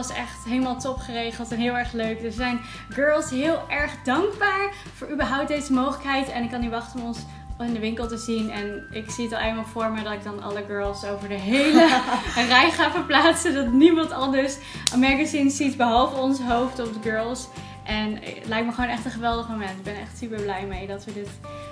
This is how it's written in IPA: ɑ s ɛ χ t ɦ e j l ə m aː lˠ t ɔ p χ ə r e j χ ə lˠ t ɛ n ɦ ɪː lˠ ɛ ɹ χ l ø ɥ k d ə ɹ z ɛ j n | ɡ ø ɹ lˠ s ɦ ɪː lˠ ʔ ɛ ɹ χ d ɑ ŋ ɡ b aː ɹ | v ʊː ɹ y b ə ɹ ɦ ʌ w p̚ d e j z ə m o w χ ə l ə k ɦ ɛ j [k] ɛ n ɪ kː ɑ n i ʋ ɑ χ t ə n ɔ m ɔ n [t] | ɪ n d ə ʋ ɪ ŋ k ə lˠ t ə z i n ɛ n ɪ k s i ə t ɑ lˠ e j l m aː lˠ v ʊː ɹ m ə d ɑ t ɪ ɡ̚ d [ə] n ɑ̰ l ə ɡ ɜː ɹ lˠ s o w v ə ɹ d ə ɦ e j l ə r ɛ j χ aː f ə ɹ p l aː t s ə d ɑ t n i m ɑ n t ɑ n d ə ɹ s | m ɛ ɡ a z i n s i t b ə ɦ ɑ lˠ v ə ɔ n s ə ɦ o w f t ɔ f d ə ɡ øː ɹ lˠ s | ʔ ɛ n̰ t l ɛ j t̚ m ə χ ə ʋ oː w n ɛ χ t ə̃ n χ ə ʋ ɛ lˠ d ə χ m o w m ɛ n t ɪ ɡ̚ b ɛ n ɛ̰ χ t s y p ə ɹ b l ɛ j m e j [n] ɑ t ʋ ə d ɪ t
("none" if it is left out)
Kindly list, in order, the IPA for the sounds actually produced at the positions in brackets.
t, s, ɑ, d

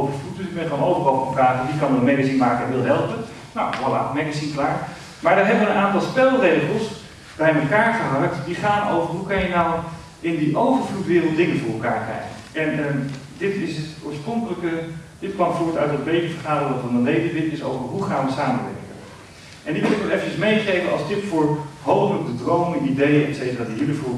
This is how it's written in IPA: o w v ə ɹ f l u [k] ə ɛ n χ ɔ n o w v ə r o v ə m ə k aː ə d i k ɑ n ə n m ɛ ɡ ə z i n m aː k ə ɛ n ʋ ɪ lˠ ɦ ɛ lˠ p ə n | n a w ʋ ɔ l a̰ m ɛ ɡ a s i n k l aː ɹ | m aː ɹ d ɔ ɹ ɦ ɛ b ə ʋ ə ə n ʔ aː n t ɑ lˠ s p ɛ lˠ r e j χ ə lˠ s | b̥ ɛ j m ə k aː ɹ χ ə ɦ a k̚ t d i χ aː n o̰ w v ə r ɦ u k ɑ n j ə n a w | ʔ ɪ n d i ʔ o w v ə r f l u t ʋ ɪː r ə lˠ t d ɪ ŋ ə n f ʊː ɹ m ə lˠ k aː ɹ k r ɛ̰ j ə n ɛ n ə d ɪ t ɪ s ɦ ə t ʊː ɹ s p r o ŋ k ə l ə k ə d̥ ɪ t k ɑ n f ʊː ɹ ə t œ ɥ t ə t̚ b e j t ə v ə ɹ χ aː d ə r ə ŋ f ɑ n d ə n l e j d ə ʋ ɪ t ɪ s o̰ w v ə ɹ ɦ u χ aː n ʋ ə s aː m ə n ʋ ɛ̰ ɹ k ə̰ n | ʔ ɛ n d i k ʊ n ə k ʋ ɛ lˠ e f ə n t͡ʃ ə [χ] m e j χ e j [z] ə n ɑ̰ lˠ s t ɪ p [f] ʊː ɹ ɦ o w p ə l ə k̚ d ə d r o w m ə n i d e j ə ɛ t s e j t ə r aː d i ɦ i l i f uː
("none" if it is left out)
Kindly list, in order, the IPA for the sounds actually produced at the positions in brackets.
t, s, v, f

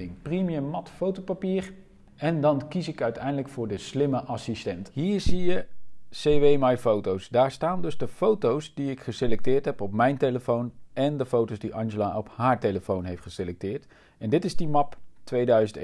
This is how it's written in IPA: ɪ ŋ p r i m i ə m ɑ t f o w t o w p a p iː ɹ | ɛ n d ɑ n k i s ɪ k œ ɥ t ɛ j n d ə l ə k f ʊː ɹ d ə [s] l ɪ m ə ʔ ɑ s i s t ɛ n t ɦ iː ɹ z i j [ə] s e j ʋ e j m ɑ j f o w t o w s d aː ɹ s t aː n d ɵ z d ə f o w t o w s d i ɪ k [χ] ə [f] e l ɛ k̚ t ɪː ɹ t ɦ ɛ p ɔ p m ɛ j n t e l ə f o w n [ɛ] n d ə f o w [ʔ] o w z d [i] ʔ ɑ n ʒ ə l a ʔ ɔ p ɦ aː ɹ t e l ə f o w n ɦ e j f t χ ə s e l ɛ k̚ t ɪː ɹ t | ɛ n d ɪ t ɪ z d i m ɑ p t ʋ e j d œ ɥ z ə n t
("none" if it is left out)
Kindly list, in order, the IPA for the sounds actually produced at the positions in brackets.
s, ə, χ, s, ɛ, t, i

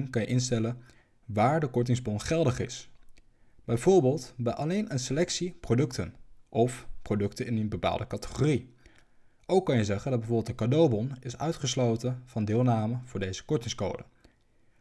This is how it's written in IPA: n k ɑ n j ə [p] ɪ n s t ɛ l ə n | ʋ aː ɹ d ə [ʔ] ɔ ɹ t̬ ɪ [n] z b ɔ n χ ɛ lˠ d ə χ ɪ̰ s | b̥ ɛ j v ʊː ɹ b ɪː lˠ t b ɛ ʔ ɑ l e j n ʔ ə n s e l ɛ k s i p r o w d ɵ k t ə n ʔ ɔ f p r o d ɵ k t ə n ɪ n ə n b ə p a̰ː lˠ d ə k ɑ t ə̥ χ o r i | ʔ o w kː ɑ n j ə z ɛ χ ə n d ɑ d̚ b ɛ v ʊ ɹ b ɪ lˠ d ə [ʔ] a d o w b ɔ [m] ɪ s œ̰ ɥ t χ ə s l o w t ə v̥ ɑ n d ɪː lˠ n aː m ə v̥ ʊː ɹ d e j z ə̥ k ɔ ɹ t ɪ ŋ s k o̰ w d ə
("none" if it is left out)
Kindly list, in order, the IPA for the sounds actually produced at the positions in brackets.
ʔ, k, ŋ, k, n

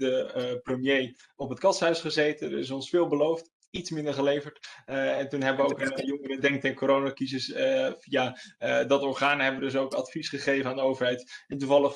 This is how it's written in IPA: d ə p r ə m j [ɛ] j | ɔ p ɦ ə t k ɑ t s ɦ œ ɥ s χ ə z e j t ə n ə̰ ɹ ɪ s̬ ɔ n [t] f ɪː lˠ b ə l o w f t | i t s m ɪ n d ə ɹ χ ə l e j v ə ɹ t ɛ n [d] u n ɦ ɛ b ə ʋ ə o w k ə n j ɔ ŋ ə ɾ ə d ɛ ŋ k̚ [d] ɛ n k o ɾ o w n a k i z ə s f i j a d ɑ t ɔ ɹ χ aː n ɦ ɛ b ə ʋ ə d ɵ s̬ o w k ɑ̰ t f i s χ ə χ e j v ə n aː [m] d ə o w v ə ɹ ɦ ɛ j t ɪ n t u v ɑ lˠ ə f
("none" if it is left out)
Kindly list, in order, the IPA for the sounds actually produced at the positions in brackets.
e, s, t, t, n

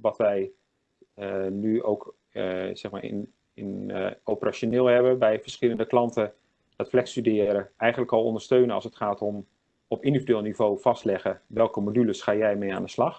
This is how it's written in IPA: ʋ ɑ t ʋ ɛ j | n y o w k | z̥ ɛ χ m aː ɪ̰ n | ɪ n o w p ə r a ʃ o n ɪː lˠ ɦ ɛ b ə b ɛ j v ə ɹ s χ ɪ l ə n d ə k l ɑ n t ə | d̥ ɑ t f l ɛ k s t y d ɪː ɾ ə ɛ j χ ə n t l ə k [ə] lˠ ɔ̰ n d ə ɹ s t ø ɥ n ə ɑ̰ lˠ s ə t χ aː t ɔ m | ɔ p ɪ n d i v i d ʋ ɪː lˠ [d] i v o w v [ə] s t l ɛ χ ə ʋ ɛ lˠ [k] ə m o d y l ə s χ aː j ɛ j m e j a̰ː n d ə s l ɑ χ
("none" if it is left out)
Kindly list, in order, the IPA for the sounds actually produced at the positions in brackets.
ɑ, n, ɑ, k

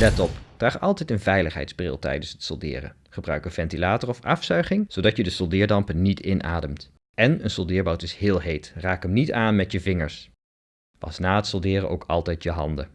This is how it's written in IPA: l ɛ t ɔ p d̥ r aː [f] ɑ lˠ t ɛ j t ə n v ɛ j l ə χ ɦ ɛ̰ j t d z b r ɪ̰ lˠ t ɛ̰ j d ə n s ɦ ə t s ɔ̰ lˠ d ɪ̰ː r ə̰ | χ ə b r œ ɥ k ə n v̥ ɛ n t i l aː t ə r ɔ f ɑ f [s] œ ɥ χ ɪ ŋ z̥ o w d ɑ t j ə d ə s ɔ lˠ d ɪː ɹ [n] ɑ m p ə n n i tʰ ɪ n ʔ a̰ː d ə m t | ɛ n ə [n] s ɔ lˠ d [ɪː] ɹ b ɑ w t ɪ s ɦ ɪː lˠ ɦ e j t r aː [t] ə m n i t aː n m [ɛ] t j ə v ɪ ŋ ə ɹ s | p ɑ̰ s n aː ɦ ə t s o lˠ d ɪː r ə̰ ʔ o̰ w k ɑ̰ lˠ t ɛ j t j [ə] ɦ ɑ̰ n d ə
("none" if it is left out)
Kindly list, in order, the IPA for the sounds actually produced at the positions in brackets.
χ, s, d, n, ɪː, k, ɛ, ə

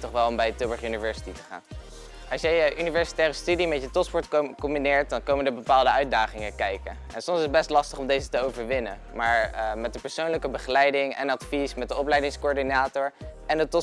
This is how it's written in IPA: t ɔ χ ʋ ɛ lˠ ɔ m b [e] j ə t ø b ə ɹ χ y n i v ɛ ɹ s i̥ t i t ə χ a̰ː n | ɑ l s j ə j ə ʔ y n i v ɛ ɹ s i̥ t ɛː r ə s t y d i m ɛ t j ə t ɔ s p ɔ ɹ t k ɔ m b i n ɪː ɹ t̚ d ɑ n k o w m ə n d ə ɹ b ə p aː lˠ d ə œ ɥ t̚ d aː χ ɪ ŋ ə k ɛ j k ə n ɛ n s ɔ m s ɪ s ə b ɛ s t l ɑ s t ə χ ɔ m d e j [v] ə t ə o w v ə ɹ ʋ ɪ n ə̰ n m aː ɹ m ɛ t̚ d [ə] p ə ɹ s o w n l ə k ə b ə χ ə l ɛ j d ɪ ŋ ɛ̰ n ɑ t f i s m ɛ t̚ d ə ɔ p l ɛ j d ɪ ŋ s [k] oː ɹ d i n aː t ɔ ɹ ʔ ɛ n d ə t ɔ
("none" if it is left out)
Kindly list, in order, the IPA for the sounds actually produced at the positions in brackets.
ɛ, z, ə, k

